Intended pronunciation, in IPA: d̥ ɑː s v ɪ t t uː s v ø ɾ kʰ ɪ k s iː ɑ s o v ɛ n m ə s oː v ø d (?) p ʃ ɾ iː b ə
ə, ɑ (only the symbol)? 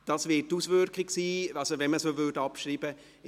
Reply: ɑ